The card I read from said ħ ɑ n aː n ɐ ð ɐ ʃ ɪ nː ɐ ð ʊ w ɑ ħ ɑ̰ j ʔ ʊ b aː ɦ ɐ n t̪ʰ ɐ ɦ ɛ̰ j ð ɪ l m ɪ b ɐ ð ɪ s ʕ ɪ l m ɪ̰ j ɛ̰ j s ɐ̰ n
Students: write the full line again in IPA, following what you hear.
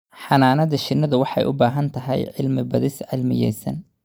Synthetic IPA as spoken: ħ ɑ n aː n ɐ ð ɐ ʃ ɪ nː ɐ ð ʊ w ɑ ħ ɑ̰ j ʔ ʊ b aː ɦ ɐ n t̪ʰ ɐ ɦ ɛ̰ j ʕ ɪ l m ɪ b ɐ ð ɪ s ʕ ɪ l m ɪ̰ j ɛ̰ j s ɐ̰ n